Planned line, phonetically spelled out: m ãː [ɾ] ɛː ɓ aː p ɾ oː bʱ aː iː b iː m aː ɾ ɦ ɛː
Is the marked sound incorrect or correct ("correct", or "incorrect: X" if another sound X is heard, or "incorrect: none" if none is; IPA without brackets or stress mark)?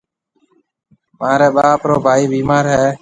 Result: correct